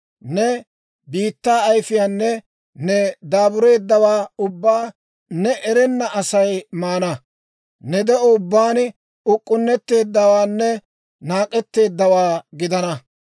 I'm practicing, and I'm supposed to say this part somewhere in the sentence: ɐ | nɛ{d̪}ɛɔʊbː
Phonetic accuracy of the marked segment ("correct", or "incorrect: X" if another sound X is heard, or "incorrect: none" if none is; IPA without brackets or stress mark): correct